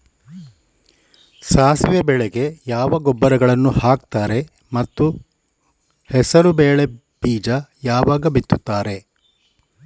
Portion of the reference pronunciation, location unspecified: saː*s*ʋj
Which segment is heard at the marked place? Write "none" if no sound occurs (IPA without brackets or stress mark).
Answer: s